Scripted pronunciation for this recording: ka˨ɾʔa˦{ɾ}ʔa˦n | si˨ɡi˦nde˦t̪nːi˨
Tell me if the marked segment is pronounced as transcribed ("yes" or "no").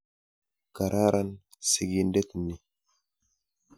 yes